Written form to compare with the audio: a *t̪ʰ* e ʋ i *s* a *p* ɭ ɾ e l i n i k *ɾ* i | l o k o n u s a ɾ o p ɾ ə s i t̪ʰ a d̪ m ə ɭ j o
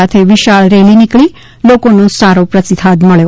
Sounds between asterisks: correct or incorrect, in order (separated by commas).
correct, incorrect, incorrect, incorrect